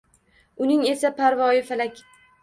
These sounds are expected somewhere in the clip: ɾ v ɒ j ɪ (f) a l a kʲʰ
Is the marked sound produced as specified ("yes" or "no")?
yes